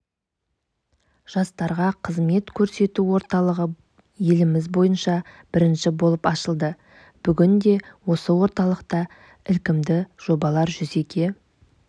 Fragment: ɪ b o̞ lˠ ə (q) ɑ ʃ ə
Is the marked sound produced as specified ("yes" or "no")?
no